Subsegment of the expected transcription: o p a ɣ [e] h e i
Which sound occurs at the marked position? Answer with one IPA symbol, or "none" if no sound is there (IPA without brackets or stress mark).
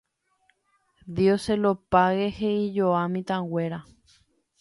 e